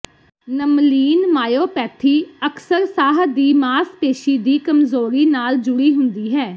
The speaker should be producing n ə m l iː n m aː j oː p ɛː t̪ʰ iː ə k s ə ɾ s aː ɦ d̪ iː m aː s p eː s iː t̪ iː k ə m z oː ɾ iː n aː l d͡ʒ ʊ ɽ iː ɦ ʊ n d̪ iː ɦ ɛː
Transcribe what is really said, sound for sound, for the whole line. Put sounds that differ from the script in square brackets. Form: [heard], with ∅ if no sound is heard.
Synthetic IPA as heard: n ə m l iː n m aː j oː p ɛː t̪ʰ iː ə k s ə ɾ s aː ɦ d̪ iː m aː s p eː [ʃ] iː [d̪] iː k ə m z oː ɾ iː n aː l d͡ʒ ʊ ɽ iː ɦ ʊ n d̪ iː ɦ ɛː